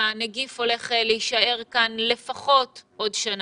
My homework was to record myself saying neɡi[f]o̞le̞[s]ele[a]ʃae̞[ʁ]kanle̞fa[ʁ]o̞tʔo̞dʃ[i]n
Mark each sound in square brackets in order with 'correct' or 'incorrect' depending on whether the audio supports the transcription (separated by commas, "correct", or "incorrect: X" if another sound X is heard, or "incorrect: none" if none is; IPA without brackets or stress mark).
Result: correct, incorrect: χ, incorrect: i, correct, incorrect: χ, incorrect: a